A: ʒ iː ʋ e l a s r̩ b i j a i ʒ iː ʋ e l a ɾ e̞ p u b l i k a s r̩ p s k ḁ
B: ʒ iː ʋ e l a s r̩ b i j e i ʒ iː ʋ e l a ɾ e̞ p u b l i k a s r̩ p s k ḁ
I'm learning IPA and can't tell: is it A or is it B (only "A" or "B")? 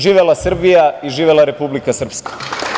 A